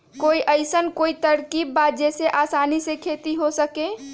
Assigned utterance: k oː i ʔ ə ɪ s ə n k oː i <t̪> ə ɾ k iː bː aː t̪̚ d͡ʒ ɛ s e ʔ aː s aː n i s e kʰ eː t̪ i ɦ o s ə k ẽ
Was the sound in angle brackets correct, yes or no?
yes